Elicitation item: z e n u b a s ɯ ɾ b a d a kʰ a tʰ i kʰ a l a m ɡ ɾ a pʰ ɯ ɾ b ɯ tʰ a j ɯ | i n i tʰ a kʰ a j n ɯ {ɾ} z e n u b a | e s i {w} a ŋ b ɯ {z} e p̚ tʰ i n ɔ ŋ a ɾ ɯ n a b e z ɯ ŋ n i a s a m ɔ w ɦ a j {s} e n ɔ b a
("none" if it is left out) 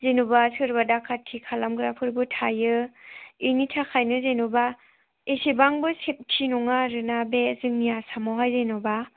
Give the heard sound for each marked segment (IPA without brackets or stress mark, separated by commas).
none, b, s, z